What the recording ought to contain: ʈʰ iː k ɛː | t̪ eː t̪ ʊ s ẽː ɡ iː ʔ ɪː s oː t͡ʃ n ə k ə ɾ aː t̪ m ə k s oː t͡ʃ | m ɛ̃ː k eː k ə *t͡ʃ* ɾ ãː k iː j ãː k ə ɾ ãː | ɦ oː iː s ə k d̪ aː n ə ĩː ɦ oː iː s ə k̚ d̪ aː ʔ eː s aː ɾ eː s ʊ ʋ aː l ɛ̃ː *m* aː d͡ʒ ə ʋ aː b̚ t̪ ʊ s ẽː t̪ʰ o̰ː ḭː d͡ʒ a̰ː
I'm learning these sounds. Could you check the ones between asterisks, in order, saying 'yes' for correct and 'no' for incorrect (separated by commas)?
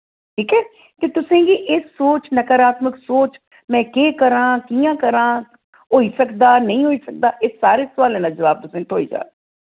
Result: no, no